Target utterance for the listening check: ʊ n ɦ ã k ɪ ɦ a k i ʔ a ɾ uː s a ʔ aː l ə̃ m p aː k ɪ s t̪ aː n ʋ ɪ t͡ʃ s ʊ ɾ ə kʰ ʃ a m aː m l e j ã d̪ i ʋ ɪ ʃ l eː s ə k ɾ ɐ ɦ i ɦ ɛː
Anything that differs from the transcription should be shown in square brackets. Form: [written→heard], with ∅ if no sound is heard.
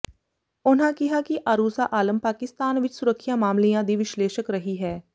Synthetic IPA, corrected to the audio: ʊ n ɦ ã k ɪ ɦ a k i ʔ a ɾ uː s a ʔ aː l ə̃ m p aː k ɪ s t̪ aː n ʋ ɪ t͡ʃ s ʊ ɾ ə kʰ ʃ a m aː m l [e→i] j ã d̪ i ʋ ɪ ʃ l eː [s→ʃ] ə k ɾ ɐ ɦ i ɦ ɛː